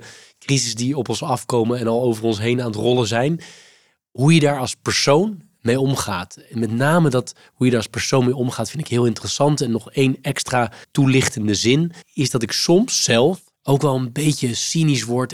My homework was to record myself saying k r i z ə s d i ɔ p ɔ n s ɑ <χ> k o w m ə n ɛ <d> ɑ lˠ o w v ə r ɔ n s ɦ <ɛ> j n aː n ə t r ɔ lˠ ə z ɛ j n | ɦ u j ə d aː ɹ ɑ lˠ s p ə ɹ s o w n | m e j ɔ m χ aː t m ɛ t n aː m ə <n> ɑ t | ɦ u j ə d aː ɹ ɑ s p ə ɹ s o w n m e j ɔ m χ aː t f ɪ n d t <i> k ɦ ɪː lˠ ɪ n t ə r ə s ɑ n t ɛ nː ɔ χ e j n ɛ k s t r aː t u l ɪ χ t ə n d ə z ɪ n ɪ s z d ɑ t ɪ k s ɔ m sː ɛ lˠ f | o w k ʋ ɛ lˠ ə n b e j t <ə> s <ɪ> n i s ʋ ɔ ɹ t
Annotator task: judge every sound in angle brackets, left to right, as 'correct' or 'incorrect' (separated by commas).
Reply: incorrect, incorrect, incorrect, incorrect, incorrect, correct, incorrect